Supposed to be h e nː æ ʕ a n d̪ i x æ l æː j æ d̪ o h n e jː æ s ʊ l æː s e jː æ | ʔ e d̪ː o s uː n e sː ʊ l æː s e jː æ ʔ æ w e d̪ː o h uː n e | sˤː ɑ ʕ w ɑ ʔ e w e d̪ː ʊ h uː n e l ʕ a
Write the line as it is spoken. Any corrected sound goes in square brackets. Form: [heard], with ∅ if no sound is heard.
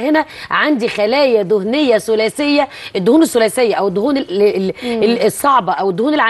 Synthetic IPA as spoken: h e [n] æ ʕ a n d̪ i x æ l æː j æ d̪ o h n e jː æ s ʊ l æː s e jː æ | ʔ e d̪ː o [h] uː n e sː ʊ l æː s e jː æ ʔ æ w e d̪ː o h uː n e | sˤː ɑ ʕ [b] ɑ ʔ [æ] w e d̪ː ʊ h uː n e l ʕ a

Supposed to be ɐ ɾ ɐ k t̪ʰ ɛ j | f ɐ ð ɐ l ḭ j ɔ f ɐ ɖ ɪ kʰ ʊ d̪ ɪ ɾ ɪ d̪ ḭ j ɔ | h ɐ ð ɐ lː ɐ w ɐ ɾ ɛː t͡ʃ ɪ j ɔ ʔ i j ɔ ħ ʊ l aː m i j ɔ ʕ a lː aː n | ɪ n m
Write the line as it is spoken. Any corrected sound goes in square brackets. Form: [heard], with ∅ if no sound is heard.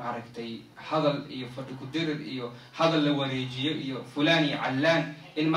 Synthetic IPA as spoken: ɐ ɾ ɐ k t̪ʰ ɛ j | [h] ɐ ð ɐ l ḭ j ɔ f ɐ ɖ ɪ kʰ ʊ d̪ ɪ ɾ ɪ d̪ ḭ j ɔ | h ɐ ð ɐ lː ɐ w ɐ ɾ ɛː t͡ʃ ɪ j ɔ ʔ i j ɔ [f] ʊ l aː [n] i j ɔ ʕ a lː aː n | ɪ n m

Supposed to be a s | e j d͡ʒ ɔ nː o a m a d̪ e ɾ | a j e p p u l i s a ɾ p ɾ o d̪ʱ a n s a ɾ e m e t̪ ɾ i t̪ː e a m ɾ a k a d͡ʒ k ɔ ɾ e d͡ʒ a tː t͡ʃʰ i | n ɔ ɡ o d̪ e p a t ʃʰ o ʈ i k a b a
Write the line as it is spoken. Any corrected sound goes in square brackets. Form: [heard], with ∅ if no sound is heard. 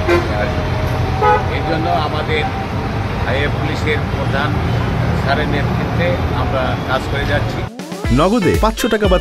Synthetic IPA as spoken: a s | e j d͡ʒ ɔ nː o a m a d̪ e ɾ | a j e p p u l i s [e] ɾ p ɾ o d̪ʱ a n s a ɾ e [n] e t̪ ɾ i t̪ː e a m ɾ a k a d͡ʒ k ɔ ɾ e d͡ʒ a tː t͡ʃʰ i | n ɔ ɡ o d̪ e p a t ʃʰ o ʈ [a] k a b a

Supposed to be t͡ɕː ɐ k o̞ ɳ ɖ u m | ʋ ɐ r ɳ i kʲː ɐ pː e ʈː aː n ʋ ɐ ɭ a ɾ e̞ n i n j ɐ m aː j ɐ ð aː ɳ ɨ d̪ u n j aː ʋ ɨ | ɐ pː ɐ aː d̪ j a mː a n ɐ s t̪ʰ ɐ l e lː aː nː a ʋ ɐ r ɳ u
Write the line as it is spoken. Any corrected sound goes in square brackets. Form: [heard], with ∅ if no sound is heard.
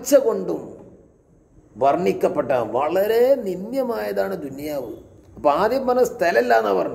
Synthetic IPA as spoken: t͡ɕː ɐ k o̞ ɳ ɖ u m | ʋ ɐ r ɳ i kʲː ɐ pː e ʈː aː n ʋ ɐ ɭ [ɐ] ɾ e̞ n i n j ɐ m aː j ɐ ð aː ɳ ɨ d̪ u n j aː ʋ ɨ | ɐ pː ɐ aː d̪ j [ɐ] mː [ɐ] n ɐ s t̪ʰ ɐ l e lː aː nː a ʋ ɐ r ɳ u

